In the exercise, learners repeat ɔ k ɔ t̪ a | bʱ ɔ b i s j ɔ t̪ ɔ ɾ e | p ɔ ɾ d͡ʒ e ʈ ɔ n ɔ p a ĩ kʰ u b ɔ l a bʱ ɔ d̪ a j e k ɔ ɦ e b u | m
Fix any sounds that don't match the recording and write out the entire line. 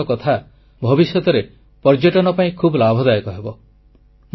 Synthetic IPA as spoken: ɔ k ɔ t̪ʰ a | bʱ ɔ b i s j ɔ t̪ ɔ ɾ e | p ɔ ɾ d͡ʒ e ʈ ɔ n ɔ p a ĩ kʰ u b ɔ l a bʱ ɔ d̪ a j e k ɔ ɦ e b ɔ | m